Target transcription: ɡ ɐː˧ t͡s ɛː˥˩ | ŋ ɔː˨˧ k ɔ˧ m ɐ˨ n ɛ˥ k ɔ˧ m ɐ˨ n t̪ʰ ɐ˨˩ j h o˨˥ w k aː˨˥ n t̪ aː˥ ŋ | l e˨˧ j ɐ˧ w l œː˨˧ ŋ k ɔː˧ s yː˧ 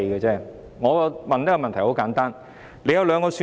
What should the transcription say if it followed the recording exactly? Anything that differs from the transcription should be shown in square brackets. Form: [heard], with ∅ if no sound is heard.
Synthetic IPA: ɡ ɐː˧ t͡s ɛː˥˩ | ŋ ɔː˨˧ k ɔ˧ m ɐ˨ n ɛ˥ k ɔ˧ m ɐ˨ n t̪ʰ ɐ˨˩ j h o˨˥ w k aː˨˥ n t̪ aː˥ [n] | l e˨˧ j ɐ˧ w l œː˨˧ ŋ k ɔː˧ s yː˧